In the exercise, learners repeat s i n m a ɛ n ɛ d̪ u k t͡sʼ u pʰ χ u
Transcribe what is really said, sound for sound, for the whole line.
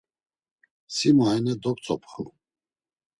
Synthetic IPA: s i m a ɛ n ɛ d̪ ɔ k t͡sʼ ɔ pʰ χ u